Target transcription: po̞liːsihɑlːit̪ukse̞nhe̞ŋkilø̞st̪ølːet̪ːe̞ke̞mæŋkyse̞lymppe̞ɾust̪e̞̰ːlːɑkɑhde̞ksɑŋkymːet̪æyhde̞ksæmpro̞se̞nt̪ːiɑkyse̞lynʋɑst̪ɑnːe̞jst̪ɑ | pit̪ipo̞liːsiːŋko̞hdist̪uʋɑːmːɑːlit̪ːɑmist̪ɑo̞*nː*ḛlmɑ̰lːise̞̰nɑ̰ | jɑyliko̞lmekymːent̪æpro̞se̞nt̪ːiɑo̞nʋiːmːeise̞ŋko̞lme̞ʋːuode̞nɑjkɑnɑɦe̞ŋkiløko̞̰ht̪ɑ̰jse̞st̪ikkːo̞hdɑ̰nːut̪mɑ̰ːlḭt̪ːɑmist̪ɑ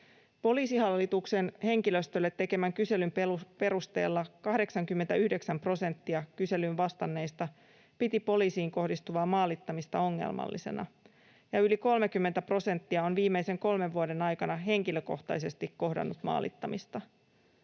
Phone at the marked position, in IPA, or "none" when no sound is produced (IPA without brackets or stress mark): ŋː